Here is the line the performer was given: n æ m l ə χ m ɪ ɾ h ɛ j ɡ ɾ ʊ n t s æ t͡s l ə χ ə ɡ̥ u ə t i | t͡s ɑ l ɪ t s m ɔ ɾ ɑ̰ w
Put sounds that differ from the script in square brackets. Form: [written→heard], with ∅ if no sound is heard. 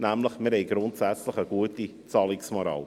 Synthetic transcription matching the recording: n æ m l ə χ m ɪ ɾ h ɛ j ɡ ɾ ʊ n t s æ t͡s l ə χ ə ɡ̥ u ə t i | t͡s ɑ l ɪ [t→k] s m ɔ ɾ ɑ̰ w